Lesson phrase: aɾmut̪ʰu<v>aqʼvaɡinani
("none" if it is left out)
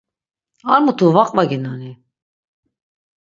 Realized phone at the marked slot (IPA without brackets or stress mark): v